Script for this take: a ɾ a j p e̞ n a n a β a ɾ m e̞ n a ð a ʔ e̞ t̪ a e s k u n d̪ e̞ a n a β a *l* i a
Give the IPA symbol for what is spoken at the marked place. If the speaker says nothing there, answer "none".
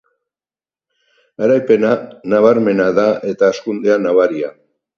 ɾ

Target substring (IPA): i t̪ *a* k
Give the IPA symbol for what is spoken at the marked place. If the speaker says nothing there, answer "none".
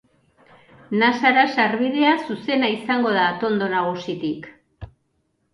i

